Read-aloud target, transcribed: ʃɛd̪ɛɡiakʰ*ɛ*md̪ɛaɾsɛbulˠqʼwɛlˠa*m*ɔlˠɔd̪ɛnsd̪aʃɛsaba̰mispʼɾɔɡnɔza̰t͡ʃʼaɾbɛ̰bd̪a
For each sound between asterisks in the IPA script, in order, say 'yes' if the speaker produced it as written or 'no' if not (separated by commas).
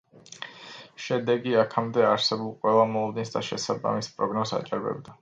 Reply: no, yes